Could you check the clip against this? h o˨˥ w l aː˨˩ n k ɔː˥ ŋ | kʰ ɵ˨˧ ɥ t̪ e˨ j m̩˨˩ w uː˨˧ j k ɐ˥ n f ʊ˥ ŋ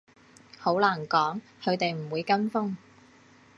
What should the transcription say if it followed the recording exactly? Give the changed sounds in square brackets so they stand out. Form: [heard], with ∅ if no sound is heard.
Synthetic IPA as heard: h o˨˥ w l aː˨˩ n k [ɔː˨˥] ŋ | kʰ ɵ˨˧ ɥ t̪ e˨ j m̩˨˩ w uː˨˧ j k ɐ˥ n f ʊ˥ ŋ